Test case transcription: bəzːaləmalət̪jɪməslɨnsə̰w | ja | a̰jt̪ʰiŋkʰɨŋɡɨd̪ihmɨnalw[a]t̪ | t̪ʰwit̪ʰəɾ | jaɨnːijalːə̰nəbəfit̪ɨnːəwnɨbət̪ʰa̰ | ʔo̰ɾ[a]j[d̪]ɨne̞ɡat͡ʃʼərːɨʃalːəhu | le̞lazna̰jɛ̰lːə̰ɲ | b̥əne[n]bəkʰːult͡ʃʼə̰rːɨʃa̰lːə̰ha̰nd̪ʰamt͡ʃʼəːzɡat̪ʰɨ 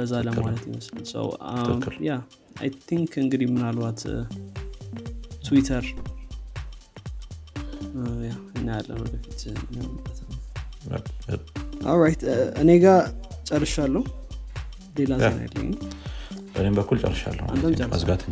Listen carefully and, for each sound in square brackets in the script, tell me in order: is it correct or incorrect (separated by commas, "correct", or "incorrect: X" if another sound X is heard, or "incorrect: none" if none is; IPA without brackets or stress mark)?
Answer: correct, correct, incorrect: t̪, incorrect: m